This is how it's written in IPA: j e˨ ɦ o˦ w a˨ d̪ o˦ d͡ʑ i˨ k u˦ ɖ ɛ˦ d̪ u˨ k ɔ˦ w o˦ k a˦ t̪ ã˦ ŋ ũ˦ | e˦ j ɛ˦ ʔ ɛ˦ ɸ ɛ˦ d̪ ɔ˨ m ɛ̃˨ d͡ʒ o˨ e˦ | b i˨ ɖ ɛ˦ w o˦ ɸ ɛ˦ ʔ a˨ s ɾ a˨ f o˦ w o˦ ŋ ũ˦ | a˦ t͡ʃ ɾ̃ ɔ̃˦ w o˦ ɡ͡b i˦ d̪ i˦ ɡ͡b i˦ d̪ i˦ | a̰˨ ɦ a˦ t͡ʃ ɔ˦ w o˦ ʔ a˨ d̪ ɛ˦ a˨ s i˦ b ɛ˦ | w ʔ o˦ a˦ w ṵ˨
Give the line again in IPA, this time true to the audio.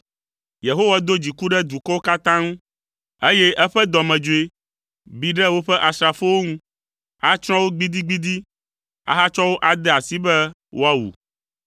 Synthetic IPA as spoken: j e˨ ɦ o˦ w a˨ d̪ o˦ d͡ʑ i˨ k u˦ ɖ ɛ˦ d̪ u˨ k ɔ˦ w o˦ k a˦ t̪ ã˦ ŋ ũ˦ | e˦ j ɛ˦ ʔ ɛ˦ ɸ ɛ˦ d̪ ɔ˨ m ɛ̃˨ d͡ʒ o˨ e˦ | b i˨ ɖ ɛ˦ w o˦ ɸ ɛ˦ ʔ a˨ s ɾ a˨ f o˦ w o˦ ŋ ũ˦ | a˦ t͡ʃ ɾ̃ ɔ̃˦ w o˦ ɡ͡b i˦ d̪ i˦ ɡ͡b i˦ d̪ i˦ | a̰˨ ɦ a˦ t͡ʃ ɔ˦ w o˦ ʔ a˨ d̪ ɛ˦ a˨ s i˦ b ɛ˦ | w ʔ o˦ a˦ w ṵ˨

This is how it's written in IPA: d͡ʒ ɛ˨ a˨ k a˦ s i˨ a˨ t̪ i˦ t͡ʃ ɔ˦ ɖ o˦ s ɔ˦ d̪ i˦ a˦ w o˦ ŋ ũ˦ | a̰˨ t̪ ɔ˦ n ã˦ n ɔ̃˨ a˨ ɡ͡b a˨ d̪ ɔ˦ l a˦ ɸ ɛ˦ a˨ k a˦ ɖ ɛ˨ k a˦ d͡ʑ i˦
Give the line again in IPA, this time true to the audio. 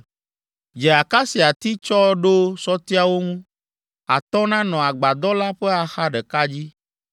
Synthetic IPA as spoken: d͡ʒ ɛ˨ a˨ k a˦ s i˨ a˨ t̪ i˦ t͡ʃ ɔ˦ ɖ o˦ s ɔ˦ t̪ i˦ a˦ w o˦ ŋ ũ˦ | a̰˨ t̪ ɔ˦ n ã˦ n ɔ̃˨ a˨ ɡ͡b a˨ d̪ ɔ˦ l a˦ ɸ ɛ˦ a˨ x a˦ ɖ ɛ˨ k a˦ d͡ʑ i˦

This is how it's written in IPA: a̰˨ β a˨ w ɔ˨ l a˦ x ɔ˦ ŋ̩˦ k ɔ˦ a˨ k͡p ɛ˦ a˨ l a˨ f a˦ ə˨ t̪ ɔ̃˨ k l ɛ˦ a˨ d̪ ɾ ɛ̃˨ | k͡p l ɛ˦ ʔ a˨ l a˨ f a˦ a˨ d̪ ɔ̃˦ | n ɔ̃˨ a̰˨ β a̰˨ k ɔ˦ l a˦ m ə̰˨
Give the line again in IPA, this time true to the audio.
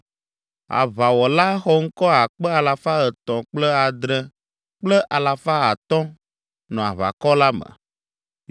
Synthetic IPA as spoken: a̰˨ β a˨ w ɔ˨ l a˦ x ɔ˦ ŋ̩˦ k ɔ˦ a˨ k͡p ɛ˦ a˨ l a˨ f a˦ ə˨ t̪ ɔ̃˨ k͡p l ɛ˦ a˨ d̪ ɾ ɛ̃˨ | k͡p l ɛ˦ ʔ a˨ l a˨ f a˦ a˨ t̪ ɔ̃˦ | n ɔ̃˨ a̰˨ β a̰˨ k ɔ˦ l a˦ m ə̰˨

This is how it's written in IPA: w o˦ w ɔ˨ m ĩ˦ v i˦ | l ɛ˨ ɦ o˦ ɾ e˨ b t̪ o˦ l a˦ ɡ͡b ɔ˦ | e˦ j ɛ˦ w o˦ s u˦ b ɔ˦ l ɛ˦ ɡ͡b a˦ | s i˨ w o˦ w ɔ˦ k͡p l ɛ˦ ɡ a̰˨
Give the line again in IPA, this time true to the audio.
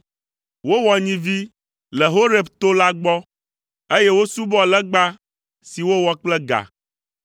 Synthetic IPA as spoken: w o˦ w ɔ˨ ɲ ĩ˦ v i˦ | l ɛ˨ ɦ o˦ ɾ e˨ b t̪ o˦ l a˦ ɡ͡b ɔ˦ | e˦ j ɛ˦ w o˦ s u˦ b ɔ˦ l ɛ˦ ɡ͡b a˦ | s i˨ w o˦ w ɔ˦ k͡p l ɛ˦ ɡ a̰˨

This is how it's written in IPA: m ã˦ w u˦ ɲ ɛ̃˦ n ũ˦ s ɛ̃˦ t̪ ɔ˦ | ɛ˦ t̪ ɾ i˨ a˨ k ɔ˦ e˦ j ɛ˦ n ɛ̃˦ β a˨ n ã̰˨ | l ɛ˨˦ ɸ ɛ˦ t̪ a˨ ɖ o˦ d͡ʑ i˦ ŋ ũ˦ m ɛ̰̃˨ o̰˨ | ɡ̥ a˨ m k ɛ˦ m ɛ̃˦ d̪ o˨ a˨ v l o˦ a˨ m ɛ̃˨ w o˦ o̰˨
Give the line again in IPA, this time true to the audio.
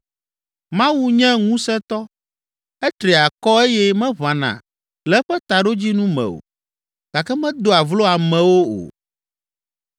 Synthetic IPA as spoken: m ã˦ w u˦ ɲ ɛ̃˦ ŋ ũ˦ s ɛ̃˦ t̪ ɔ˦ | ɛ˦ t̪ ɾ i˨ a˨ k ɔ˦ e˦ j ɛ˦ m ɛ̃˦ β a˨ n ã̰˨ | l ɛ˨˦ ɸ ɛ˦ t̪ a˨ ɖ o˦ d͡ʑ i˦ n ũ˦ m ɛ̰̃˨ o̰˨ | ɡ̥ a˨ k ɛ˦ m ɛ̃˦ d̪ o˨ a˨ v l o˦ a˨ m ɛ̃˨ w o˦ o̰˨

